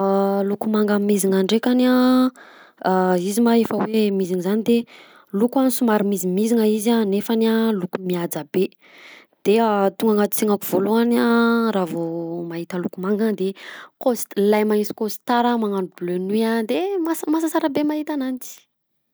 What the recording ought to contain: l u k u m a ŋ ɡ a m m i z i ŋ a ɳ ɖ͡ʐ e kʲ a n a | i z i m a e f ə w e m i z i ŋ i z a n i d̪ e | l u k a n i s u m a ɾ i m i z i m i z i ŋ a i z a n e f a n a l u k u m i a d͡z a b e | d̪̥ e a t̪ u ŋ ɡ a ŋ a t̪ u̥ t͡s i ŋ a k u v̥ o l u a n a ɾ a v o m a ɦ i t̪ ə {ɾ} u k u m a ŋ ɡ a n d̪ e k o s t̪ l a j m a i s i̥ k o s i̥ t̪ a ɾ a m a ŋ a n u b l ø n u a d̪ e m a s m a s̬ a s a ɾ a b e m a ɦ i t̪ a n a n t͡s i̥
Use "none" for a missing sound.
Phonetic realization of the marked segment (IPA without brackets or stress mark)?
l